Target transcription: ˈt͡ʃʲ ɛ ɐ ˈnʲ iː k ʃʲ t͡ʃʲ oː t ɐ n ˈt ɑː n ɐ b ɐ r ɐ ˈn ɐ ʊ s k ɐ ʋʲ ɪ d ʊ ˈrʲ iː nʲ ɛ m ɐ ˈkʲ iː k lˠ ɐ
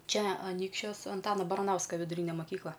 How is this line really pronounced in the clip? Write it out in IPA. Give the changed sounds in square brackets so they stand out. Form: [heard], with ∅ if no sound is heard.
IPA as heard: ˈt͡ʃʲ ɛ ɐ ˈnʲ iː k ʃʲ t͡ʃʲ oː [s] ɐ n ˈt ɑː n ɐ b ɐ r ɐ ˈn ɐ ʊ s k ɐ ʋʲ ɪ d ʊ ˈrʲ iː nʲ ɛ m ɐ ˈkʲ iː k lˠ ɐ